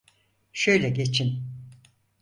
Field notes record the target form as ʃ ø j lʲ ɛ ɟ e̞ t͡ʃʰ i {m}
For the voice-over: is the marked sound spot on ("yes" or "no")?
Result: no